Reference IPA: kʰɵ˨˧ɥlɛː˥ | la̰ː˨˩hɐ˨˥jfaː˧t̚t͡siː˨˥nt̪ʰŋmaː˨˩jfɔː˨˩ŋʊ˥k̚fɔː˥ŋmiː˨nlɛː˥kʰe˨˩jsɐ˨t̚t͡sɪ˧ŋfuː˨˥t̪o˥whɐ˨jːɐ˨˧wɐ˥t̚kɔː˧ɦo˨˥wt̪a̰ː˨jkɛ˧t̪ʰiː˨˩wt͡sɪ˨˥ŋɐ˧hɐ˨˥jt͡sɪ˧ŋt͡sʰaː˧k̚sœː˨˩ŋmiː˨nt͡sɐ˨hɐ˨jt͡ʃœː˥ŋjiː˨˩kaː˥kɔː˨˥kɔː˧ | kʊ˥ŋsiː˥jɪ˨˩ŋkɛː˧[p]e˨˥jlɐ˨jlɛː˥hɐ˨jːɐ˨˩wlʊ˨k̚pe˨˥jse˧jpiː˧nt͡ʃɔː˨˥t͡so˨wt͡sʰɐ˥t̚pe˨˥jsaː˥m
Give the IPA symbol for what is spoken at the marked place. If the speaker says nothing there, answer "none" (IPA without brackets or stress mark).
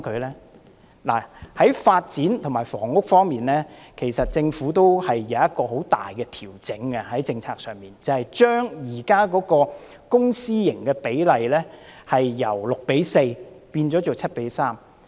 p